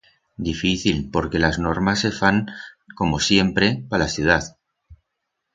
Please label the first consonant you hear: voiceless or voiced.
voiced